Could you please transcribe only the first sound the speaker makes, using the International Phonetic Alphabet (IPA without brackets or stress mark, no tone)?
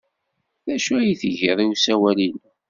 ð